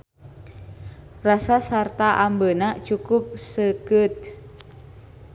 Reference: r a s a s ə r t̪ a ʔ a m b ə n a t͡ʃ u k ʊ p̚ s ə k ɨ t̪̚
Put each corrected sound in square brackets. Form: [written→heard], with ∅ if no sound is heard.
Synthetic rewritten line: r a s a s [ə→a] r t̪ a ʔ a m b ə n a t͡ʃ u k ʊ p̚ s ə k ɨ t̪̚